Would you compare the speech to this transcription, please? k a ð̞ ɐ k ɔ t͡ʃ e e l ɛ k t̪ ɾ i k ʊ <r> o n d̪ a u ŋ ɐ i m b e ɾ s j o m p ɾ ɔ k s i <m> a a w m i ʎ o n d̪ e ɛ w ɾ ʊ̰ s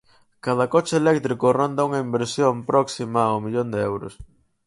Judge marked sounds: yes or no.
yes, yes

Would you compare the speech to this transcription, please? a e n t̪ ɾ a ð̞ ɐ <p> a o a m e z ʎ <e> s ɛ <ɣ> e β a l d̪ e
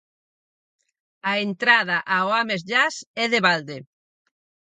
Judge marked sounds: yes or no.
no, no, no

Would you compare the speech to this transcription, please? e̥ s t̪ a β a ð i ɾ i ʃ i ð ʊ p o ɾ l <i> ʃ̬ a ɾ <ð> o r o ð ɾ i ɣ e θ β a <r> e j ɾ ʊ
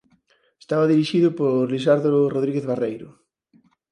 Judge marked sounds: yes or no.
yes, yes, yes

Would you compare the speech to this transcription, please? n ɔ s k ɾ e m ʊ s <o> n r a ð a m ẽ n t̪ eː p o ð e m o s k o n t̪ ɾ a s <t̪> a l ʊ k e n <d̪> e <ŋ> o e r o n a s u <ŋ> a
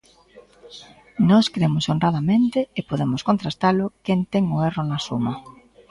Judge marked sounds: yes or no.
yes, yes, no, yes, no

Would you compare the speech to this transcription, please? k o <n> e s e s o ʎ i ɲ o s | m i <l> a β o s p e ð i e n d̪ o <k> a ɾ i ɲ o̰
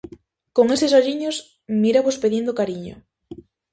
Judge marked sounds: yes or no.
no, no, yes

